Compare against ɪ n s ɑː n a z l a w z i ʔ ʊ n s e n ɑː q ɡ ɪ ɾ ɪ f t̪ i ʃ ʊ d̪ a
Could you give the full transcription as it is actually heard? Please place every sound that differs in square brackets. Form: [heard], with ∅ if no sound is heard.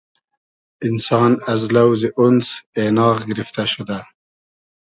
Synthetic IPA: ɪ n s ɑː n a z l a w z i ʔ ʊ n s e n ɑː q ɡ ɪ ɾ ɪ f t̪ [a] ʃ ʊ d̪ a